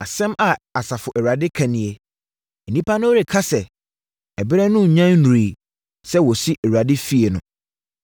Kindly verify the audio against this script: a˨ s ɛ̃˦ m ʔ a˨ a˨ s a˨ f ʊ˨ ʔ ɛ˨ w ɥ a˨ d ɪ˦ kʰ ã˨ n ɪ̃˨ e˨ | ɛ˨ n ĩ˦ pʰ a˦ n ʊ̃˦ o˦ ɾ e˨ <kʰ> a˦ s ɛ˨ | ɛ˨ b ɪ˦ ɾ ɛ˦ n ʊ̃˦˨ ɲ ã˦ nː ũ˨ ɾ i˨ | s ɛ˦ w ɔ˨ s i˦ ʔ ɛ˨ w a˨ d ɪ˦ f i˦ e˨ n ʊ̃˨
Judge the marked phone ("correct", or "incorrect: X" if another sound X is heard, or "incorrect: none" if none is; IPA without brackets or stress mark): correct